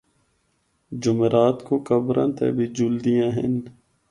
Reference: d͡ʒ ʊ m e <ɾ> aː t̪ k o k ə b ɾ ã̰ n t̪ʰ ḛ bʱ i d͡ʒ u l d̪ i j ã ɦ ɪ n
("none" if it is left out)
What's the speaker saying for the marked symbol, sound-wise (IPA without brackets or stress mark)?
ɾ